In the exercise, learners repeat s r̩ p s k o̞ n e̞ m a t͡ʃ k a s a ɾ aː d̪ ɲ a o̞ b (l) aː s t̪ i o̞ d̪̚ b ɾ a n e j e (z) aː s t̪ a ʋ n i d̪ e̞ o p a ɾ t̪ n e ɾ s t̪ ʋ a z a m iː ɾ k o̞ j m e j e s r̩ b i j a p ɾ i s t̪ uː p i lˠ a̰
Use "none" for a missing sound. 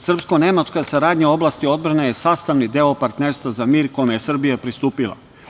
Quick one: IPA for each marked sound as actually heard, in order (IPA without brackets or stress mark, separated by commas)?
l, s